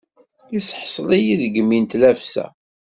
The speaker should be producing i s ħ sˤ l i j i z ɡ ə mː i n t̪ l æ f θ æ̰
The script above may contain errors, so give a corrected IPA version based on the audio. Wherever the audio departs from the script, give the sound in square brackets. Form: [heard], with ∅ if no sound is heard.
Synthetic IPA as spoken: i s ħ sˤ l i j i [ð] ɡ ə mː i n t̪ l æ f [s] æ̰